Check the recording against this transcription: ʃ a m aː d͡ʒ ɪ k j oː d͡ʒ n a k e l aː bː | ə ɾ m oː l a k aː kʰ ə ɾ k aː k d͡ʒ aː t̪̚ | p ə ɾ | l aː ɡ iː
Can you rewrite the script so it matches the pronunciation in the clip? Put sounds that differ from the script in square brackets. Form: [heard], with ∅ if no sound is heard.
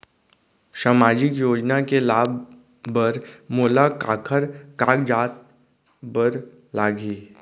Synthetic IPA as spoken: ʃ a m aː d͡ʒ ɪ k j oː d͡ʒ n a k e l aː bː | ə ɾ m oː l a k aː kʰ ə ɾ k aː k d͡ʒ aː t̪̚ | [b] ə ɾ | l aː ɡ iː

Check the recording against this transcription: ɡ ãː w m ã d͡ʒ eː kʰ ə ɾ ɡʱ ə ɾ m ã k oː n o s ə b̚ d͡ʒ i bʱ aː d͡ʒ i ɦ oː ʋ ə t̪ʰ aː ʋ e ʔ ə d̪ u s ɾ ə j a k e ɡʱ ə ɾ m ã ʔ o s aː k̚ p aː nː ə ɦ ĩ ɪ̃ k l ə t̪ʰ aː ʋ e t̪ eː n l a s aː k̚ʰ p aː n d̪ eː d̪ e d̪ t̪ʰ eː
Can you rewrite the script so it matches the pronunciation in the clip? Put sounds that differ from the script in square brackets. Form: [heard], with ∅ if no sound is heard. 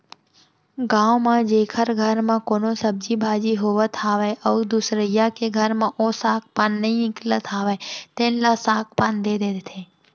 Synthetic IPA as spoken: ɡ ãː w m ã d͡ʒ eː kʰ ə ɾ ɡʱ ə ɾ m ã k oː n o s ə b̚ d͡ʒ i bʱ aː d͡ʒ i ɦ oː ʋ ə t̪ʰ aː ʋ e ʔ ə d̪ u s ɾ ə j a k e ɡʱ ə ɾ m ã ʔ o s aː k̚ p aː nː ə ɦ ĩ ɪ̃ k l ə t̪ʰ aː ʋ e t̪ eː n l a s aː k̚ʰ p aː n d̪ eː d̪ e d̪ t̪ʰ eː

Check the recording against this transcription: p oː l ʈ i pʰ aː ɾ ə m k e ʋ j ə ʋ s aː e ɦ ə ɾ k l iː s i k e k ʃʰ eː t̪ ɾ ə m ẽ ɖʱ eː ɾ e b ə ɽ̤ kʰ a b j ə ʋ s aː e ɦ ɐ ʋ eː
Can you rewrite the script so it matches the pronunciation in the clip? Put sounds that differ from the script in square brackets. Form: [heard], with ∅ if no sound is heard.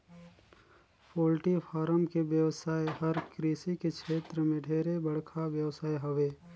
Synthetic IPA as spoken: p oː l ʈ i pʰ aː ɾ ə m k e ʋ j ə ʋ s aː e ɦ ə ɾ k [ɾ] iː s i k e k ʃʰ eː t̪ ɾ ə m ẽ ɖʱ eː ɾ e b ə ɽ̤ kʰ a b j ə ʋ s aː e ɦ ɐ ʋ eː

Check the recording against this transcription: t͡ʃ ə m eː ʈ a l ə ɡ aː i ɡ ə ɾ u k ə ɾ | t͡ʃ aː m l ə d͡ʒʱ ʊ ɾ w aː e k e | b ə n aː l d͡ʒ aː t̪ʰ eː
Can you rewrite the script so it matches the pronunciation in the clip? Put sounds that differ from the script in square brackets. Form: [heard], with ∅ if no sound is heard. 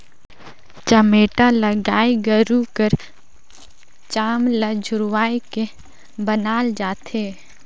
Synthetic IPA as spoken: t͡ʃ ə m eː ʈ a l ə ɡ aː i ɡ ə ɾ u k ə ɾ | t͡ʃ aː m l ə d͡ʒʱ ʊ ɾ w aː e k e | b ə n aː l d͡ʒ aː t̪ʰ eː

